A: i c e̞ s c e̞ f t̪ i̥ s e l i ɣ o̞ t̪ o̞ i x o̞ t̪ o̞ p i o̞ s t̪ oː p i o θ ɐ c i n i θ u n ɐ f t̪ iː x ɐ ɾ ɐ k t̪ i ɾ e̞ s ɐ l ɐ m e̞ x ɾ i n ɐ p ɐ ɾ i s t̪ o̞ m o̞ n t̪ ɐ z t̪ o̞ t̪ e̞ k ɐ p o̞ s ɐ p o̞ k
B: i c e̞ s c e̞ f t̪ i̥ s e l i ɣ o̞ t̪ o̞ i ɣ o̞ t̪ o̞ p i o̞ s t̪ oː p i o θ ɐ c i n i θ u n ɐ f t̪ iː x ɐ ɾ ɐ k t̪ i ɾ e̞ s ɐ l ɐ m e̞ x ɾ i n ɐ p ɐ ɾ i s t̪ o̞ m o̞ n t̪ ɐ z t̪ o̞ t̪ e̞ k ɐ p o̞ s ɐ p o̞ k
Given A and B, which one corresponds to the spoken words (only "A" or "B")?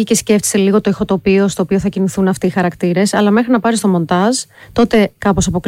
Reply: A